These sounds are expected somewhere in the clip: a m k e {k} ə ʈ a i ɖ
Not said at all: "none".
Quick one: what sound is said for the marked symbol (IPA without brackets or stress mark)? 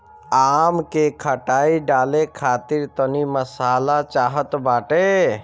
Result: kʰ